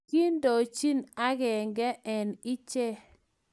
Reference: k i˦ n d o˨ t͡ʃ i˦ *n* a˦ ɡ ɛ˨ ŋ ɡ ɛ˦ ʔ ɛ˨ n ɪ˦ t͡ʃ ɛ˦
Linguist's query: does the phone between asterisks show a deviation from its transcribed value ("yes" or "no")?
no